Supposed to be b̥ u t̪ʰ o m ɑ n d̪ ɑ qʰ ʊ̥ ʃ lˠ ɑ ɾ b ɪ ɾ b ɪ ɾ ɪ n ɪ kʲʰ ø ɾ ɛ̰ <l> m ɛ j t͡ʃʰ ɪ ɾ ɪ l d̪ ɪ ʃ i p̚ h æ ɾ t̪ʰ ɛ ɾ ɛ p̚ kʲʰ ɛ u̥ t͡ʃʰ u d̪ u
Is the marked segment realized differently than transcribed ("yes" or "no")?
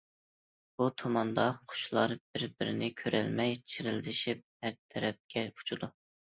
no